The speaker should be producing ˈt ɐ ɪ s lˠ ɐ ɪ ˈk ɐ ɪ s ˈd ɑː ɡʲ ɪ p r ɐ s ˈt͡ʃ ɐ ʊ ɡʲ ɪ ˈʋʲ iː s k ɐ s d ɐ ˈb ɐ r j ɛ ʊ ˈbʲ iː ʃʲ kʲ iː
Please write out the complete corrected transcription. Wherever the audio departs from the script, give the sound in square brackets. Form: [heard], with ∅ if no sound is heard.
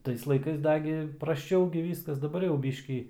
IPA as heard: ˈt ɐ ɪ s lˠ ɐ ɪ ˈk ɐ ɪ s ˈd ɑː ɡʲ ɪ p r ɐ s ˈt͡ʃ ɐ ʊ ɡʲ ɪ ˈʋʲ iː s k ɐ s d ɐ ˈb ɐ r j ɛ ʊ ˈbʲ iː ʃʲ kʲ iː